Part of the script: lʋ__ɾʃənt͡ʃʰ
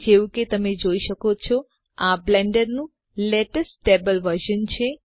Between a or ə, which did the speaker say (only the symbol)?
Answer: ə